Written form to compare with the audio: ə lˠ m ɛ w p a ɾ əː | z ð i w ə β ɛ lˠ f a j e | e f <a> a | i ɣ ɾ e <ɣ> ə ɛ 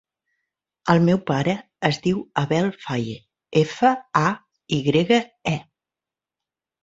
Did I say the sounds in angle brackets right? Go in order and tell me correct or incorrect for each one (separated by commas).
incorrect, correct